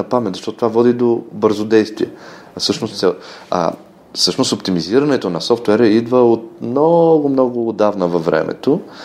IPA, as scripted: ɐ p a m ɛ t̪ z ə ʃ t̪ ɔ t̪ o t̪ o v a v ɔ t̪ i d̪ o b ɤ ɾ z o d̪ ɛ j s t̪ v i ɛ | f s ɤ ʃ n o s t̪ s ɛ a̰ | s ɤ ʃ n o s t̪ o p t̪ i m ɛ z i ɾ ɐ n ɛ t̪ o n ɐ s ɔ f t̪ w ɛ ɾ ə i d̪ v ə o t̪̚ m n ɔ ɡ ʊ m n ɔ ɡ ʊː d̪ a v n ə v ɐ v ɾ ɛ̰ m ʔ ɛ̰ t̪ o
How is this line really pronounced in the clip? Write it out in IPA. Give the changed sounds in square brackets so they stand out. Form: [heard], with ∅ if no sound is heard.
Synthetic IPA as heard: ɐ p a m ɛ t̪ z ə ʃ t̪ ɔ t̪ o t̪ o v a v ɔ [d̪] i d̪ o b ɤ ɾ z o d̪ ɛ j s t̪ v i ɛ | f s ɤ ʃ n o s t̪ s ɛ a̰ | s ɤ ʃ n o s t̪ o p t̪ i m [i] z i ɾ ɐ n ɛ t̪ o n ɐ s ɔ f t̪ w ɛ ɾ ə i d̪ v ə o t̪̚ m n ɔ ɡ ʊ m n ɔ ɡ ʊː d̪ a v n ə v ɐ v ɾ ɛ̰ m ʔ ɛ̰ t̪ o